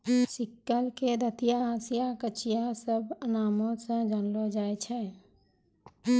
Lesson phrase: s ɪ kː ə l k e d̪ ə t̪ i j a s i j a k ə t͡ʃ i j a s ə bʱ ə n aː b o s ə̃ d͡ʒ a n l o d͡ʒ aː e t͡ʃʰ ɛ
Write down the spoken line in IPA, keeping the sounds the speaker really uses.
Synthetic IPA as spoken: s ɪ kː ə l k e d̪ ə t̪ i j a s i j a k ə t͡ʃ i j a s ə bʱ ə n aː m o s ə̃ d͡ʒ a n l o d͡ʒ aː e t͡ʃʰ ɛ